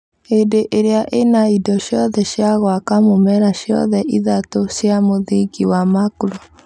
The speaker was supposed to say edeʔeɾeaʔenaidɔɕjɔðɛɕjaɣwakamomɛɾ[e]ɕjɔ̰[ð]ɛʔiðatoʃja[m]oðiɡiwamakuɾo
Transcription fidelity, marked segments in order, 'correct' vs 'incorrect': incorrect, correct, correct

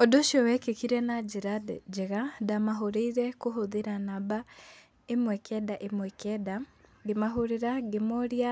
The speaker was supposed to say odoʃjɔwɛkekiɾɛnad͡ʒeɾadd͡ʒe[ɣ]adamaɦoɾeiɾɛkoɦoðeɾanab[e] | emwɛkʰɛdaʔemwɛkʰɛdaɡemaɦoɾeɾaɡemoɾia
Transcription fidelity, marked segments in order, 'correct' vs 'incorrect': correct, incorrect

